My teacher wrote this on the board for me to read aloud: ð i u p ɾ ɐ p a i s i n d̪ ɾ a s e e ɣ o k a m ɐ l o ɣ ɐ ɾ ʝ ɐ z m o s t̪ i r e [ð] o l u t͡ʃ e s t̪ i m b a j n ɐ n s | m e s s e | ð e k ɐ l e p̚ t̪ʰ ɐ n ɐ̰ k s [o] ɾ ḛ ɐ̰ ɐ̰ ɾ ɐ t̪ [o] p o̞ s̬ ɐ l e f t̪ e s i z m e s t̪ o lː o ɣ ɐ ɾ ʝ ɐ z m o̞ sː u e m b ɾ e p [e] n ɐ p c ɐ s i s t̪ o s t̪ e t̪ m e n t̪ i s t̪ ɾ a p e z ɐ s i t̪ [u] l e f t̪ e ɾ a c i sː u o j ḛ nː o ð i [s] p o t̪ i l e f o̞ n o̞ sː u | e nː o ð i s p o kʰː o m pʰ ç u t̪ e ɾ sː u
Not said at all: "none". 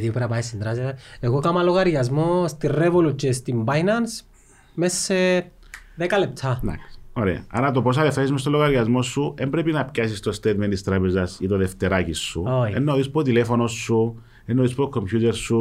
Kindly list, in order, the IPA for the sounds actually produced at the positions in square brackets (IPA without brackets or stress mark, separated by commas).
v, o, o, i, o, s